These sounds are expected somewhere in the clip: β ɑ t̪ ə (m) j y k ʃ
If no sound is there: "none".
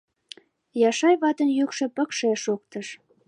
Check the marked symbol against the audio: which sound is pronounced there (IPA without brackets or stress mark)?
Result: n